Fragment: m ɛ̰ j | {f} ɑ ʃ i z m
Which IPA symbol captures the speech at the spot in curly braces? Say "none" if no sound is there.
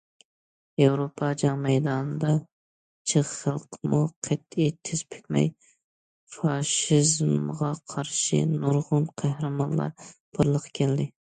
f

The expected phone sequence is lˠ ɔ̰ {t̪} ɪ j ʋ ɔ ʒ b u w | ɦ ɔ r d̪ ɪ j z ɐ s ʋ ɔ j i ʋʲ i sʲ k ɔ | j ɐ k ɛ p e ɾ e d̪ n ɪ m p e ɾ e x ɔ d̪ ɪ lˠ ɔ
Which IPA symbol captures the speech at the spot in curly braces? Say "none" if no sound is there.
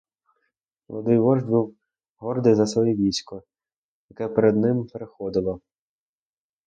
d̪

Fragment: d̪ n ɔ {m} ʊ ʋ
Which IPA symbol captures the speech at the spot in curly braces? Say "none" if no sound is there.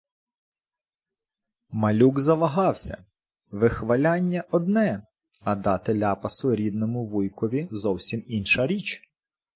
m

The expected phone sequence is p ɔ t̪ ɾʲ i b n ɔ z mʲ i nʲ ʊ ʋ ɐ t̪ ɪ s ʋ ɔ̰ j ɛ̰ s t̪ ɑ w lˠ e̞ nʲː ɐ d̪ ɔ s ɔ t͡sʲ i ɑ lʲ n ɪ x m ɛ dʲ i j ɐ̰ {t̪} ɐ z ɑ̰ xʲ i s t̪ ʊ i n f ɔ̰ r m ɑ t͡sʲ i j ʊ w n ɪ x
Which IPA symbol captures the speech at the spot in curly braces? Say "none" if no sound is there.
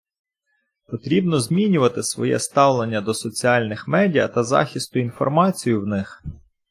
t̪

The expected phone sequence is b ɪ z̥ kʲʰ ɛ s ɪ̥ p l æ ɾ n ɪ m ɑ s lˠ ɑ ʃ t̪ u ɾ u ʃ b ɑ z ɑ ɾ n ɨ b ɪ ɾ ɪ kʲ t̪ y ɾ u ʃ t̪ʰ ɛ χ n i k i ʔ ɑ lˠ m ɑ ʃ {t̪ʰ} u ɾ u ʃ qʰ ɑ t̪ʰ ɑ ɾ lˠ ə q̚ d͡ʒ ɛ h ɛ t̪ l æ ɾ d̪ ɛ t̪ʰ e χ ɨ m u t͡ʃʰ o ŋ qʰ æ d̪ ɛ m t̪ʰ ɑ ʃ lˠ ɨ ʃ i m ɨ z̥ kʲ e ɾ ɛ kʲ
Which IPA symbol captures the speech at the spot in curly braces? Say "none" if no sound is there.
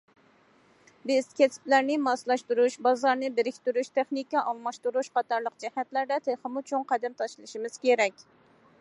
t̪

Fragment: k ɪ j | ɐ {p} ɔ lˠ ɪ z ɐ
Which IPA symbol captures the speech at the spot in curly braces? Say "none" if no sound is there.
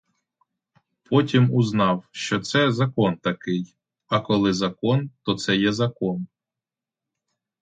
k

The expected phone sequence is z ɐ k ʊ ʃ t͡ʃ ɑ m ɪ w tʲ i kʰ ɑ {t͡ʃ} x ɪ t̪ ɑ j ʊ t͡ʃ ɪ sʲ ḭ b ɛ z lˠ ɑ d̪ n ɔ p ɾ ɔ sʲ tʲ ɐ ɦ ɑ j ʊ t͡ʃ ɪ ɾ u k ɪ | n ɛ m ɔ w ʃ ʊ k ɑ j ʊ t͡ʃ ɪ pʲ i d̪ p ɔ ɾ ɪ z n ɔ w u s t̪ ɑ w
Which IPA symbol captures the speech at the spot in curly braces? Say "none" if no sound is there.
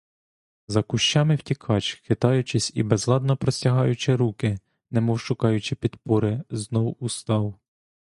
t͡ʃ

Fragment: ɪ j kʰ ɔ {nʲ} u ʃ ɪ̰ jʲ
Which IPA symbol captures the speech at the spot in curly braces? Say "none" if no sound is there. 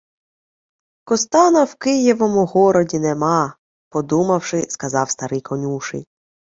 nʲ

